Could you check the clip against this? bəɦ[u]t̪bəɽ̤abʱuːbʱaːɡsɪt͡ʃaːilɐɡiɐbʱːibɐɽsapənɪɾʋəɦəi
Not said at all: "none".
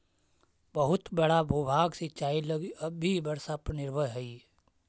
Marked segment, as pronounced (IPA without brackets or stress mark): ʊ